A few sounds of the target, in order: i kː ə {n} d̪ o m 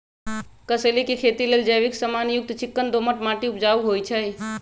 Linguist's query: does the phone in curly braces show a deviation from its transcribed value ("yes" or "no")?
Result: no